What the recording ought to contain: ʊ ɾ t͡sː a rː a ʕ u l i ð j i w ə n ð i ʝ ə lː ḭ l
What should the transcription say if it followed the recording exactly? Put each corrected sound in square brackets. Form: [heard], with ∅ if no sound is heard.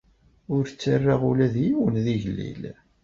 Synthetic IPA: ʊ ɾ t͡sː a rː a [ʁ] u l [æ] ð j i w ə n ð i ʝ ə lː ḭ l

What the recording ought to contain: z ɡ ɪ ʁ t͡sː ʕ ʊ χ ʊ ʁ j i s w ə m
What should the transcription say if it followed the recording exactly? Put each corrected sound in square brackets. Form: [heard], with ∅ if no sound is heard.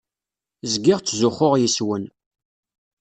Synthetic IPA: z ɡ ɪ ʁ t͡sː [z] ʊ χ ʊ ʁ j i s w ə [n]

